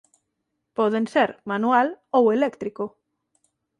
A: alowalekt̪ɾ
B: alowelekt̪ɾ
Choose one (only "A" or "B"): B